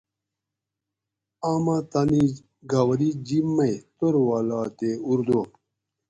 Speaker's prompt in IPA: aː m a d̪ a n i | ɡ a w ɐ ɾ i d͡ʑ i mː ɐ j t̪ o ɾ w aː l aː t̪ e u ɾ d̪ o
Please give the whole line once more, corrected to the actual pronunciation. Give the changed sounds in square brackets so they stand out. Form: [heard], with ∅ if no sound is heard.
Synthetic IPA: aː m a [t̪] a n i | ɡ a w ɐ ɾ i d͡ʑ i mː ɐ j t̪ o ɾ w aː l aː t̪ e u ɾ d̪ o